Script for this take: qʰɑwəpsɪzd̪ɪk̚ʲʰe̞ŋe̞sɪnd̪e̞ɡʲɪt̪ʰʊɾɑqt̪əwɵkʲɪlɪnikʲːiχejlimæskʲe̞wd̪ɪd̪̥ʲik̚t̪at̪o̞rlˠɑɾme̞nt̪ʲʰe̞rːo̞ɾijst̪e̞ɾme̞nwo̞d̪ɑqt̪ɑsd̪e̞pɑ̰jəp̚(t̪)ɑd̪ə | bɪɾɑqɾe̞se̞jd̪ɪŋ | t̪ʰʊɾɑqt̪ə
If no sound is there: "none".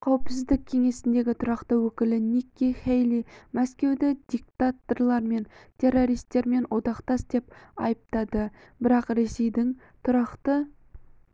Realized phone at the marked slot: t̪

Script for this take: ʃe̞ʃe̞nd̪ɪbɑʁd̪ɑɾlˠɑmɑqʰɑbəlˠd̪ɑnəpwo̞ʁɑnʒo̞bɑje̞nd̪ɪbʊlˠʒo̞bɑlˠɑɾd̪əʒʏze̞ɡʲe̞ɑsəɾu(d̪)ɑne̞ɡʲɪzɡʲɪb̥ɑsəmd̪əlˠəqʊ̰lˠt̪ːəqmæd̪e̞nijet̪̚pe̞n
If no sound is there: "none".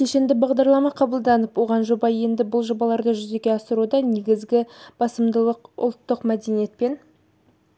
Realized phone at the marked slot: d̪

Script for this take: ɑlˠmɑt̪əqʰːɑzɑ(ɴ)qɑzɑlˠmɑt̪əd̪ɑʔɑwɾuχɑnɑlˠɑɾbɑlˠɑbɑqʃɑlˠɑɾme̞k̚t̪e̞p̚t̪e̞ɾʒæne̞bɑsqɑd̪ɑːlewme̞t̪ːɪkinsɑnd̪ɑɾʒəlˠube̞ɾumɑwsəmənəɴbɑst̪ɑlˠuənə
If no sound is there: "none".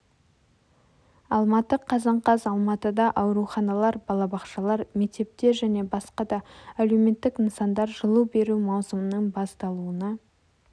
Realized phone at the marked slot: ɴ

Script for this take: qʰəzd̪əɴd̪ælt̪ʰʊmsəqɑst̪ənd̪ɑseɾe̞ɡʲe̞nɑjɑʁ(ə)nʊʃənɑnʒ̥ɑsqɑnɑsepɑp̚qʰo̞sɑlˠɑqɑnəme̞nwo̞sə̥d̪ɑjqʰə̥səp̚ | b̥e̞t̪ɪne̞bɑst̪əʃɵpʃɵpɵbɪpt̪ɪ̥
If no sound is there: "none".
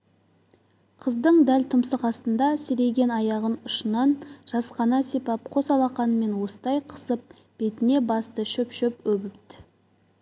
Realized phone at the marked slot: ə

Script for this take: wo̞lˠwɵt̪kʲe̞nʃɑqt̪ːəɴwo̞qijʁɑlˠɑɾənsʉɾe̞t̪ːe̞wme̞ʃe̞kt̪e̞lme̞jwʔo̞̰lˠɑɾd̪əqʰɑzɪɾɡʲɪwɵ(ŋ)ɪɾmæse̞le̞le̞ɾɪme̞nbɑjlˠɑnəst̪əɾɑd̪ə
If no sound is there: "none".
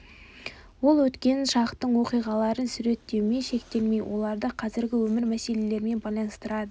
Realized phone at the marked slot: m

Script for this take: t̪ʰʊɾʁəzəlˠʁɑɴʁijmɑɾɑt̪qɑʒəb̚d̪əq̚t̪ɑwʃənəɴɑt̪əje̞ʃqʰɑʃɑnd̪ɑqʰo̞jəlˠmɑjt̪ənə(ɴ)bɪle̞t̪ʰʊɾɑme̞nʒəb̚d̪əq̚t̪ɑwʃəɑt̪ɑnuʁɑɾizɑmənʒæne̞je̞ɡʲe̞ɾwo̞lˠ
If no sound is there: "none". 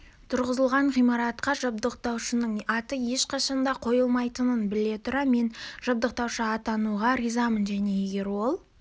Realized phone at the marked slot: n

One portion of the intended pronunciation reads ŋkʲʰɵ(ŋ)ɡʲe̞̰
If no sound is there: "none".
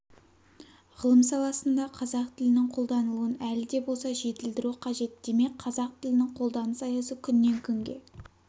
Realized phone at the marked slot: ŋ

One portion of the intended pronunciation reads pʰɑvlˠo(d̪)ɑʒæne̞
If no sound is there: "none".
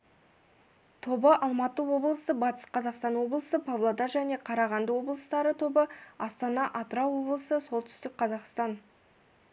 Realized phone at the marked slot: d̪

